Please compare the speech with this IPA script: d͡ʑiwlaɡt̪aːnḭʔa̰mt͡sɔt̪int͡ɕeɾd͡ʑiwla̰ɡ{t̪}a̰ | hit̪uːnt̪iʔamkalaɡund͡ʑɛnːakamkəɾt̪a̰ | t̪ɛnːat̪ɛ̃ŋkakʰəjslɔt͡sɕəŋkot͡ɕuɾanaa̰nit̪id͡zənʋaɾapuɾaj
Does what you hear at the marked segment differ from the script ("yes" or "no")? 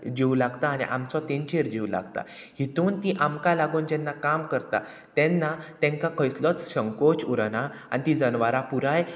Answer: no